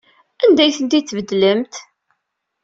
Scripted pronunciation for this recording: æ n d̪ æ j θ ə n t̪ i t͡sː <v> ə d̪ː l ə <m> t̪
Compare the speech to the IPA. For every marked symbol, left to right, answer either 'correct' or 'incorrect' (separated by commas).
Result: correct, correct